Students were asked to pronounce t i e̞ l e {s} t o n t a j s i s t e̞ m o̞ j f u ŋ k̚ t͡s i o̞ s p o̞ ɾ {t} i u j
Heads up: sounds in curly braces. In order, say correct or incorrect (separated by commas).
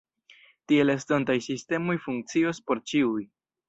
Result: correct, incorrect